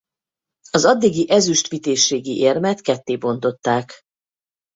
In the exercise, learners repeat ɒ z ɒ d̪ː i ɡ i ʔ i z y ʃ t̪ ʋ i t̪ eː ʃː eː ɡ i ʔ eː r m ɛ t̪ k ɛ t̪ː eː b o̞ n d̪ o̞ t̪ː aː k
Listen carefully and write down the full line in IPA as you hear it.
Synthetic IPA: ɒ z ɒ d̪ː i ɡ i ʔ ɛ z y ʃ t̪ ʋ i t̪ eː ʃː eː ɡ i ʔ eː r m ɛ t̪ k ɛ t̪ː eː b o̞ n t̪ o̞ t̪ː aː k